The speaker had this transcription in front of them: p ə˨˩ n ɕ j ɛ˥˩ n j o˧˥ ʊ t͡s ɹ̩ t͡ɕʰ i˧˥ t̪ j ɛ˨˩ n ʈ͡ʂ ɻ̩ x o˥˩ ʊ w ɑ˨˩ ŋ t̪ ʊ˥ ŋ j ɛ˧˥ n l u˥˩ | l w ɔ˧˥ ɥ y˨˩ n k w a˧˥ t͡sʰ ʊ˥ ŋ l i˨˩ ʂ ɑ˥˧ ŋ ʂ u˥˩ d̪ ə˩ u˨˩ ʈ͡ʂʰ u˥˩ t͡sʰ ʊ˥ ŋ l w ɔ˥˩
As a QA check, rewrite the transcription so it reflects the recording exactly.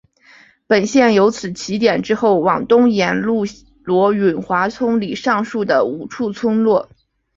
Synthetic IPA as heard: p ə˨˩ n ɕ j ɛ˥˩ n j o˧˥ ʊ t͡sʰ ɹ̩ t͡ɕʰ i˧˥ t̪ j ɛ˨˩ n ʈ͡ʂ ɻ̩ x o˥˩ ʊ w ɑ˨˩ ŋ t̪ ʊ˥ ŋ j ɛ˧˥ n l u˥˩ | l w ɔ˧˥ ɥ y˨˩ n x w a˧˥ t͡sʰ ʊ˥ ŋ l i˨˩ ʂ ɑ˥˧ ŋ ʂ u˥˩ d̪ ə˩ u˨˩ ʈ͡ʂʰ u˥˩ t͡sʰ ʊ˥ ŋ l w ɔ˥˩

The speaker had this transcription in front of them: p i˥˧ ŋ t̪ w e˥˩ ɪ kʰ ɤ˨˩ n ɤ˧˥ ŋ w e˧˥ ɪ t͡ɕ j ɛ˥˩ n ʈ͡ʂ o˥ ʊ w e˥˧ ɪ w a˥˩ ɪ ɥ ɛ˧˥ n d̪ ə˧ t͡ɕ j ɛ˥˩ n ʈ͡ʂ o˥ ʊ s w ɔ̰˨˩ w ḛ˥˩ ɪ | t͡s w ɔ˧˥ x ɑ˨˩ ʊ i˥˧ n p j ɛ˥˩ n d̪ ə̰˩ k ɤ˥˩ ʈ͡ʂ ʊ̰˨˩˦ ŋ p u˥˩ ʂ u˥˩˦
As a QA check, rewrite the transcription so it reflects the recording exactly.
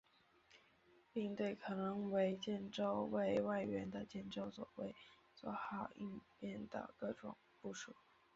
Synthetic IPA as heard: p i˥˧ ŋ t̪ w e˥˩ ɪ kʰ ɤ˨˩ n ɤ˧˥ ŋ w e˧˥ ɪ t͡ɕ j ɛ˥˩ n ʈ͡ʂ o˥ ʊ w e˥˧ ɪ w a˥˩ ɪ ɥ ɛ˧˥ n d̪ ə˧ t͡ɕ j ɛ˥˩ n ʈ͡ʂ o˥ ʊ s w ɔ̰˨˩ w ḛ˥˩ ɪ | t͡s w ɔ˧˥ x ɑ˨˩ ʊ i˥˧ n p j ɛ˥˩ n d̪ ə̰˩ k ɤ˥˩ ʈ͡ʂ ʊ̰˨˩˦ ŋ p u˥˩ ʂ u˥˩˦

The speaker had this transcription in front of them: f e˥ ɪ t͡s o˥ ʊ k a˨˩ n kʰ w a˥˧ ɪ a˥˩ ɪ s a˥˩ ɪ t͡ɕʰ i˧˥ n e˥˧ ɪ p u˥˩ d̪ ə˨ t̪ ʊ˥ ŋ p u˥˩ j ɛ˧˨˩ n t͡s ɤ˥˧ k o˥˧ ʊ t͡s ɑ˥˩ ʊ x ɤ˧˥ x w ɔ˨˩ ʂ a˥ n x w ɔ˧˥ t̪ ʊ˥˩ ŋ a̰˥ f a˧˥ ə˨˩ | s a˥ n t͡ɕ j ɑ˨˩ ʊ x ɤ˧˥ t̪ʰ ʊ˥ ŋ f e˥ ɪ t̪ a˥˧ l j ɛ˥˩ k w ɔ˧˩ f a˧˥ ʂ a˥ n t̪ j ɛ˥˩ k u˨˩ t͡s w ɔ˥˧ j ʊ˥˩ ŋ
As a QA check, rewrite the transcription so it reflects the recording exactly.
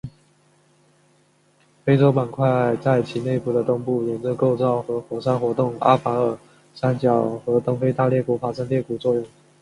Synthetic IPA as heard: f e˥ ɪ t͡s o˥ ʊ p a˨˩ n kʰ w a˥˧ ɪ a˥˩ ɪ t͡s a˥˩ ɪ t͡ɕʰ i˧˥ n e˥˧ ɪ p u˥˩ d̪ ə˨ t̪ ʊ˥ ŋ p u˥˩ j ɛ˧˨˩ n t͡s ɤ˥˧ k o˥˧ ʊ t͡s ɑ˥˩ ʊ x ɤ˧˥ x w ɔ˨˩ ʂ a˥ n x w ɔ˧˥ t̪ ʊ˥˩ ŋ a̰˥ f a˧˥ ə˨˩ | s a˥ n t͡ɕ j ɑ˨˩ ʊ x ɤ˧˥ t̪ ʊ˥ ŋ f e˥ ɪ t̪ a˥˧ l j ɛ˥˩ k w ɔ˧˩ f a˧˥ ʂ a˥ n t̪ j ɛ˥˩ k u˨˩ t͡s w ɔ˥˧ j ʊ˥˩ ŋ

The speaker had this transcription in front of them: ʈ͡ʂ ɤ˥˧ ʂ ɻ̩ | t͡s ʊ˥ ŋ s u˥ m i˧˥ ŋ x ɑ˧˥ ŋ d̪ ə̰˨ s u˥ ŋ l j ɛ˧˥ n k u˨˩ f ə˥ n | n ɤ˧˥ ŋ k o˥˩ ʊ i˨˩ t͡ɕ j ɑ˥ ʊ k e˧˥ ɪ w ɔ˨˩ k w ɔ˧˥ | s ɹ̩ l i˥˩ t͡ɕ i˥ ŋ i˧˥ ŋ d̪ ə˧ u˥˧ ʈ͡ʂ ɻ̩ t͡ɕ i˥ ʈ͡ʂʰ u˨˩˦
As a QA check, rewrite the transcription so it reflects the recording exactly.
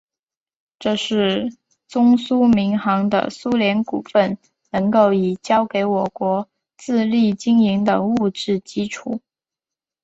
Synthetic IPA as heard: ʈ͡ʂ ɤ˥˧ ʂ ɻ̩ | t͡s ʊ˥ ŋ s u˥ m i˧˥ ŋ x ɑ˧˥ ŋ d̪ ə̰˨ s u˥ l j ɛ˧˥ n k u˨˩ f ə˥˩ n | n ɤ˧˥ ŋ k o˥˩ ʊ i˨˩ t͡ɕ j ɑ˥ ʊ k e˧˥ ɪ w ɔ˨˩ k w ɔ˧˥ | t͡s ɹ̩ l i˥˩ t͡ɕ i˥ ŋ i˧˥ ŋ d̪ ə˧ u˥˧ ʈ͡ʂ ɻ̩ t͡ɕ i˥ ʈ͡ʂʰ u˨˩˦

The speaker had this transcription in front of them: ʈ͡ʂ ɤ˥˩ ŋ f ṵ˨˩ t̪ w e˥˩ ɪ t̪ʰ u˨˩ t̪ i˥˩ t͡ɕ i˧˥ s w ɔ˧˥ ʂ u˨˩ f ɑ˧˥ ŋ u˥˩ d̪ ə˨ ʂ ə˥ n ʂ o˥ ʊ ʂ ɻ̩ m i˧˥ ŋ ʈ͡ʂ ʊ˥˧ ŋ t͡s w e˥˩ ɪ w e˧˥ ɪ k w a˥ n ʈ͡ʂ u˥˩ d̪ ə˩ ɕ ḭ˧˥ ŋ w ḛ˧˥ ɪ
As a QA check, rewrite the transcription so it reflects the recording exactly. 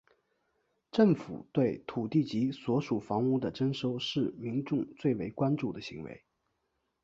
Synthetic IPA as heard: ʈ͡ʂ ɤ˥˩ ŋ f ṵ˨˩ t̪ w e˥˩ ɪ t̪ʰ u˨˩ t̪ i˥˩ t͡ɕ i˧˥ s w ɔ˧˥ ʂ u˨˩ f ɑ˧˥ ŋ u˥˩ d̪ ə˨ ʈ͡ʂ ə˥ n ʂ o˥ ʊ ʂ ɻ̩ m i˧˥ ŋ ʈ͡ʂ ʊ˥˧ ŋ t͡s w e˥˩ ɪ w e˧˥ ɪ k w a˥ n ʈ͡ʂ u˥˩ d̪ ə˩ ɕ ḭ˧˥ ŋ w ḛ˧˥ ɪ

